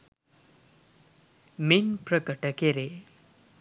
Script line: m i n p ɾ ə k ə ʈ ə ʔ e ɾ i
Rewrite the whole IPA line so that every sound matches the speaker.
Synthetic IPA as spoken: m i n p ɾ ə k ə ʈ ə k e ɾ e